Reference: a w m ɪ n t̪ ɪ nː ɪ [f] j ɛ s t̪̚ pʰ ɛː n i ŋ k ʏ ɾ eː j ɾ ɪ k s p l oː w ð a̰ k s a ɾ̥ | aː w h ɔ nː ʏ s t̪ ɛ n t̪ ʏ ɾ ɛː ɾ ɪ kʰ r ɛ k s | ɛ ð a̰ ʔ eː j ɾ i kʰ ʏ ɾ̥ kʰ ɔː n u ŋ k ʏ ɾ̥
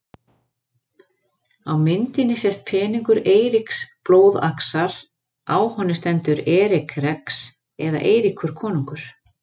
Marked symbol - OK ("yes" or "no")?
no